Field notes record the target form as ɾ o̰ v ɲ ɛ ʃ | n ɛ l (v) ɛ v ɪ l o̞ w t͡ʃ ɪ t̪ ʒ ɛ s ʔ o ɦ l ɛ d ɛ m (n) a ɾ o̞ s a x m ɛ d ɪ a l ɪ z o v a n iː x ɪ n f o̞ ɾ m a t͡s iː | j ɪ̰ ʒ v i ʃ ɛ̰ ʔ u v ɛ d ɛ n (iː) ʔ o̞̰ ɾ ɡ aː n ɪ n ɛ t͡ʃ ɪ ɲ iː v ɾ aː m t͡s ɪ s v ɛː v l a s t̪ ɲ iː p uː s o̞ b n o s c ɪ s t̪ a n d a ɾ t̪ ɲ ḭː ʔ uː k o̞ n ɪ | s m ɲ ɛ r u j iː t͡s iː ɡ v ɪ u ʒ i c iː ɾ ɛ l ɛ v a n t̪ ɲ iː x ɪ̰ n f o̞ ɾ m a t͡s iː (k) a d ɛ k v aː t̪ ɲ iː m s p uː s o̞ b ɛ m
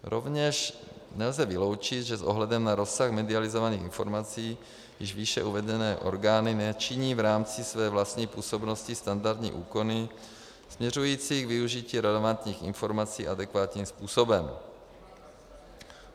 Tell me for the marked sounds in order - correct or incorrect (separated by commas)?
incorrect, correct, incorrect, incorrect